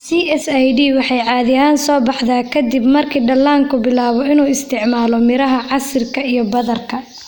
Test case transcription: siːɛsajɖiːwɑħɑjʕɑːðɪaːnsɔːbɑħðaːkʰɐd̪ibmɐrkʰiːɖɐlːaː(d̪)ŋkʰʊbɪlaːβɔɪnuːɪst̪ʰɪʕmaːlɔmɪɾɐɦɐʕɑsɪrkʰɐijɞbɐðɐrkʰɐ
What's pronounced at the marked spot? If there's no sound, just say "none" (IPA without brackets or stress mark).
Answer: none